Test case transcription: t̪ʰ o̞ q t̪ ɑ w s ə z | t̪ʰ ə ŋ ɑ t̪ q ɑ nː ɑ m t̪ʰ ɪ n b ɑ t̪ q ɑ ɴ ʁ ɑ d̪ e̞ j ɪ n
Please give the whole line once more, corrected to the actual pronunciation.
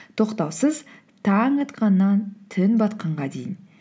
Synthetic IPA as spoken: t̪ʰ o̞ q t̪ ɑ w s ə z | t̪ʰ ɑ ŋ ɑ t̪ q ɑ nː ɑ n t̪ʰ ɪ n b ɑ t̪ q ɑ ɴ ʁ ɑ d̪ e̞ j ɪ n

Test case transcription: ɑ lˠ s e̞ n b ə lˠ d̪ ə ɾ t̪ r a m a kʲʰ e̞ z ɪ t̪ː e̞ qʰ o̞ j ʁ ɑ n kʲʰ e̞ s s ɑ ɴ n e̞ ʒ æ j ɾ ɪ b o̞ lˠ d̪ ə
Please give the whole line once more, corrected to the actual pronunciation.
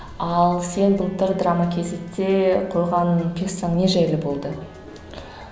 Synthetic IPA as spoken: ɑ lˠ s e̞ n b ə lˠ t̪ ə ɾ d̪ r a m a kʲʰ e̞ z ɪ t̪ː e̞ qʰ o̞ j ʁ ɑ n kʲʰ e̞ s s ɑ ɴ n e̞ ʒ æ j l ɪ b o̞ lˠ d̪ ə

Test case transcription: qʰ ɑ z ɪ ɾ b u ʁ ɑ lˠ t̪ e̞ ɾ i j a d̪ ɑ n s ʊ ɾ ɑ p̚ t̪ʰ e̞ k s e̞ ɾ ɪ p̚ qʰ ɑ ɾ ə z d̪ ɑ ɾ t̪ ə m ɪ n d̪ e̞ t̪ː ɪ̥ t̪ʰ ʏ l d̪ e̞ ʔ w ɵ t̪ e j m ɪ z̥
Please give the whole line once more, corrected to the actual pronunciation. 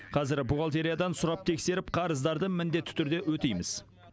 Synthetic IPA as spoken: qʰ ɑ z ɪ ɾ b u ʁ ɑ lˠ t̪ e̞ ɾ i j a d̪ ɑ n s ʊ ɾ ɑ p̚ t̪ʰ e̞ k s e̞ ɾ ɪ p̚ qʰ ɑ ɾ ə z d̪ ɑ ɾ d̪ ə m ɪ n d̪ e̞ t̪ː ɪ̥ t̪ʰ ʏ ɾ d̪ e̞ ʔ w ɵ t̪ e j m ɪ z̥

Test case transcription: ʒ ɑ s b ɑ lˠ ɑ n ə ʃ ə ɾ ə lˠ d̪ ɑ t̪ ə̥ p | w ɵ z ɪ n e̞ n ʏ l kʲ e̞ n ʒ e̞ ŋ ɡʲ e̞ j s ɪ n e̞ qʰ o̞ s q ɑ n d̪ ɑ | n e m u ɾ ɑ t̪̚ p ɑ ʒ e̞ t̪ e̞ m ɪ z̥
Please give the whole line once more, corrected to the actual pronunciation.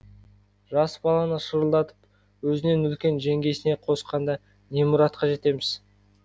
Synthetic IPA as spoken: ʒ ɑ s b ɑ lˠ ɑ n ə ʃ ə ɾ ə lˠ d̪ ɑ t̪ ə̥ p | w ɵ z ɪ n e̞ n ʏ l kʲ e̞ n ʒ e̞ ŋ ɡʲ e̞ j s ɪ n e̞ qʰ o̞ s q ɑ n d̪ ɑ | n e m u ɾ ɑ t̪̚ q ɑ ʒ e̞ t̪ e̞ m ɪ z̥

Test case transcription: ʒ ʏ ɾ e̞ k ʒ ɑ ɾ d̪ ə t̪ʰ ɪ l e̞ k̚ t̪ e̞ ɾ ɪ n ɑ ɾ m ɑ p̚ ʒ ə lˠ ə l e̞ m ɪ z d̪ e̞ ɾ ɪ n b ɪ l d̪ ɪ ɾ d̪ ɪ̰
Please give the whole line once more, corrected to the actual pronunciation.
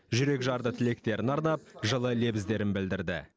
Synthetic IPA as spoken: ʒ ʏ ɾ e̞ k ʒ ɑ ɾ d̪ ə t̪ʰ ɪ l e̞ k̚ t̪ e̞ ɾ ɪ n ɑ ɾ n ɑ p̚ ʒ ə lˠ ə l e̞ b ɪ z d̪ e̞ ɾ ɪ n b ɪ l d̪ ɪ ɾ d̪ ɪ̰

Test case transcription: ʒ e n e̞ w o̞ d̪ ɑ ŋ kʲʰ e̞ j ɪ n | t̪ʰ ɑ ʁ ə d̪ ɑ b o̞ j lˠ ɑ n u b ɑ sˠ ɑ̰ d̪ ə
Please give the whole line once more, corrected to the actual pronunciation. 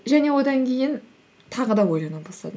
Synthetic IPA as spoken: ʒ æ n e̞ w o̞ d̪ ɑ ŋ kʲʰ e̞ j ɪ n | t̪ʰ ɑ ʁ ə d̪ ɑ w o̞ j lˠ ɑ n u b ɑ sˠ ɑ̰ d̪ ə

